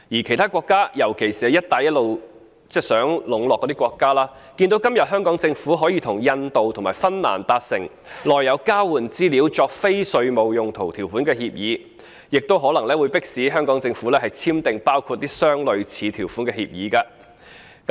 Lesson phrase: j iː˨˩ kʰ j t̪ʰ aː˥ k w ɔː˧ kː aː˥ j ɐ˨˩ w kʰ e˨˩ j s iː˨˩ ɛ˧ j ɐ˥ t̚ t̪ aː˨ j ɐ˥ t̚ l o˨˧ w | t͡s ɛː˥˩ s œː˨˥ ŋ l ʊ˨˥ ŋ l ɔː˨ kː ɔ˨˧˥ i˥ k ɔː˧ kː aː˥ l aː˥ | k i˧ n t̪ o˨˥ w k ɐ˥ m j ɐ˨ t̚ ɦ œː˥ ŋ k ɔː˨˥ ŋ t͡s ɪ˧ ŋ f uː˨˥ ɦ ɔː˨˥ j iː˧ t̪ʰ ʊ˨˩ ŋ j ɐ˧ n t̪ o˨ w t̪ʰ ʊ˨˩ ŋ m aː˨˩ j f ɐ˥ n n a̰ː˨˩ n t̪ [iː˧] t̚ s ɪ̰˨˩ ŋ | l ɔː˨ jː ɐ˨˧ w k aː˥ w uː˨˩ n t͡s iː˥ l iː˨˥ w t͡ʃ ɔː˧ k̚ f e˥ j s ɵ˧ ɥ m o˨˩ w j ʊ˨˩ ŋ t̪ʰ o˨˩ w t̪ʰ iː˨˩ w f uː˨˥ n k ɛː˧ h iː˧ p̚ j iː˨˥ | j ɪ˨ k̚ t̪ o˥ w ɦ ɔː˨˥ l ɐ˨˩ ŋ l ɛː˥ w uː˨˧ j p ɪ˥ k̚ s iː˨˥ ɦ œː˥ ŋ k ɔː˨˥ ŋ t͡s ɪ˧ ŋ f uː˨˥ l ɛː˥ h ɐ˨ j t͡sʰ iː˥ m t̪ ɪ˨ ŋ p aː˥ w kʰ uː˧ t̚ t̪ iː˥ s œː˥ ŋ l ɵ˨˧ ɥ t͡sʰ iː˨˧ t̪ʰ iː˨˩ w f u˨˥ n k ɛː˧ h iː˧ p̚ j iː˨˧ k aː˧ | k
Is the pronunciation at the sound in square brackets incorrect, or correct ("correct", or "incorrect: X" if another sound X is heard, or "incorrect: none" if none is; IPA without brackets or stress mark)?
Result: incorrect: aː˧